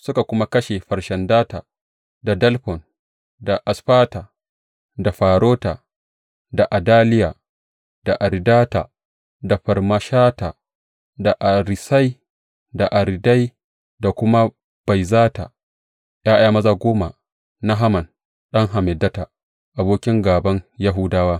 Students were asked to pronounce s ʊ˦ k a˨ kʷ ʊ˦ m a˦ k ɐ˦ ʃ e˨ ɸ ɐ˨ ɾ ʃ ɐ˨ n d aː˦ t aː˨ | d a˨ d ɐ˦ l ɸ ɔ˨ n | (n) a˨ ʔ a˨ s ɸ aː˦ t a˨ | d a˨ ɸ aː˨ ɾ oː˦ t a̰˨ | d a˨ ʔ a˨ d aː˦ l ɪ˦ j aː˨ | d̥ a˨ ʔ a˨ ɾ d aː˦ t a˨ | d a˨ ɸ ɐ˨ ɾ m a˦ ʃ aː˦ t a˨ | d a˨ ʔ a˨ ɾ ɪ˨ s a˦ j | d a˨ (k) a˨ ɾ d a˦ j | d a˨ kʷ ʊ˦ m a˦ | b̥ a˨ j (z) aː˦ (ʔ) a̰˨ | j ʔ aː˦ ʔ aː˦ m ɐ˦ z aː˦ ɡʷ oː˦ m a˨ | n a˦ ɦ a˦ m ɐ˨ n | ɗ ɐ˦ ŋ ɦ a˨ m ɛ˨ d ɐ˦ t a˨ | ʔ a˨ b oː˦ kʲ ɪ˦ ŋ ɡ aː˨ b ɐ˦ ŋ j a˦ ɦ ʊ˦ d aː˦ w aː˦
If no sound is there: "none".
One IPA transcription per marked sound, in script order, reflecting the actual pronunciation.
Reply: d, ʔ, z, t

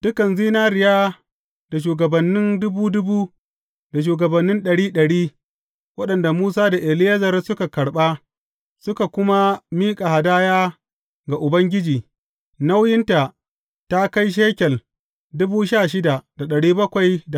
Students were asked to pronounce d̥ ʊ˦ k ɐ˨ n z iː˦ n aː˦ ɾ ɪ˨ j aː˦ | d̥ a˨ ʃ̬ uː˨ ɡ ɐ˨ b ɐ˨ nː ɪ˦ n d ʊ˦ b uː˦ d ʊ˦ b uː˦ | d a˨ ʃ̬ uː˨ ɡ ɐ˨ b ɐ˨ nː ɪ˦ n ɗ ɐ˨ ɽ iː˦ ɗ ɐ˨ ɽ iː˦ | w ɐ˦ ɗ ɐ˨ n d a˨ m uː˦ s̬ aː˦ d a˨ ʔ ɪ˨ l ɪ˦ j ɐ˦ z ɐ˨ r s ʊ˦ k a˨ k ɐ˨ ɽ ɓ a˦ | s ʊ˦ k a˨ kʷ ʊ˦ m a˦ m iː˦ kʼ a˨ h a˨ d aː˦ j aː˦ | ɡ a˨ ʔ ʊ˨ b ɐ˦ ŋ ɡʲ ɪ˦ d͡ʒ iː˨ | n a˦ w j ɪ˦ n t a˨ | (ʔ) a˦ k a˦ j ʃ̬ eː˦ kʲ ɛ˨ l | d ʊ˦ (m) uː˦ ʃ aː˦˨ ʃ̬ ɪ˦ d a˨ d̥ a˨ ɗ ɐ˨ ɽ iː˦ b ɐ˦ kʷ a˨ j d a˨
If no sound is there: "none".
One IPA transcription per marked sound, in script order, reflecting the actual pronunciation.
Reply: t, b

